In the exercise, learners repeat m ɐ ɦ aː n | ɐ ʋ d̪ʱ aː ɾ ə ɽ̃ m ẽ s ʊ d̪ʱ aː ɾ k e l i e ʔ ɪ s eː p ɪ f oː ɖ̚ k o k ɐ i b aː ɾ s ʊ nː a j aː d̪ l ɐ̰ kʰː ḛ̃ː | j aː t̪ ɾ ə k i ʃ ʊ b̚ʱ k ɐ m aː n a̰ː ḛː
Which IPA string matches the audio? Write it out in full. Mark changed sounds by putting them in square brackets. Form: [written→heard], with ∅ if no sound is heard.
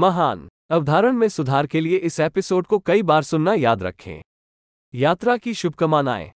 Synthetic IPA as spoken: m ɐ ɦ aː n | ɐ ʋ d̪ʱ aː ɾ ə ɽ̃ m ẽ s ʊ d̪ʱ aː ɾ k e l i e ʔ ɪ s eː p ɪ [f→s] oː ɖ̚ k o k ɐ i b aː ɾ s ʊ nː a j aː d̪ [l→ɾ] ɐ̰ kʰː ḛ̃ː | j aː t̪ ɾ [ə→a] k i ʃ ʊ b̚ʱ k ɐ m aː n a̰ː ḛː